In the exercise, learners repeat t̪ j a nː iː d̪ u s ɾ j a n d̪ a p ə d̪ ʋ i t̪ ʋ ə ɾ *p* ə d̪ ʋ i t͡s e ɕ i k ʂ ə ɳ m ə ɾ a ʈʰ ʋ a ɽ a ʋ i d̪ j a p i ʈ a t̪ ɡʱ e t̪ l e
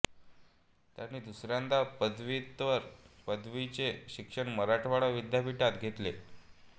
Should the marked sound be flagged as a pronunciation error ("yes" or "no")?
no